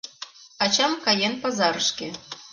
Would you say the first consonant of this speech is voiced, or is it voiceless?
voiceless